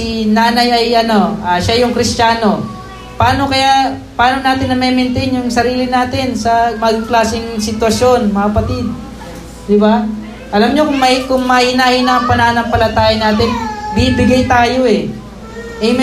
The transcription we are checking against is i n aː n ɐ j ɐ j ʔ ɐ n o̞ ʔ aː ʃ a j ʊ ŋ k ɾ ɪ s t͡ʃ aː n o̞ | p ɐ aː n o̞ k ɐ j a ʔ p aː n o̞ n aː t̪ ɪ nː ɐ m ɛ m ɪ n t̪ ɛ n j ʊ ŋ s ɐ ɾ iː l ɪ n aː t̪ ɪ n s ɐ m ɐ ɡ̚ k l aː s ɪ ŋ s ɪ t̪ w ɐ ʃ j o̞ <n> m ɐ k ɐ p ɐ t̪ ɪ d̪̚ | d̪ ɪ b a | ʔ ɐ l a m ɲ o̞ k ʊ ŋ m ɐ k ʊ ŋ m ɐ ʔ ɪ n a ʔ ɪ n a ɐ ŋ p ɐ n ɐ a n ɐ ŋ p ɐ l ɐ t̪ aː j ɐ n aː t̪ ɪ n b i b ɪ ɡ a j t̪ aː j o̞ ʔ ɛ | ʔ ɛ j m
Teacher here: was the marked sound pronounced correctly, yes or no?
yes